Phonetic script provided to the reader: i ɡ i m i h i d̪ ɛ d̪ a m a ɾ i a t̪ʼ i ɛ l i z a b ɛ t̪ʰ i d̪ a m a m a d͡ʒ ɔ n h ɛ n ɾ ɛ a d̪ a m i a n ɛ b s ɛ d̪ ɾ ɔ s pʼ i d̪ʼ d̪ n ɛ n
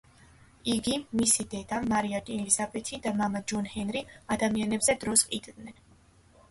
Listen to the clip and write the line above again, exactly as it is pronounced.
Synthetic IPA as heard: i ɡ i m i s i d̪ ɛ d̪ a m a ɾ i a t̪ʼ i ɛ l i z a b ɛ t̪ʰ i d̪ a m a m a d͡ʒ ɔ n h ɛ n ɾ i a d̪ a m i a n ɛ b z ɛ d̪ ɾ ɔ s qʼ i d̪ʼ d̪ n ɛ n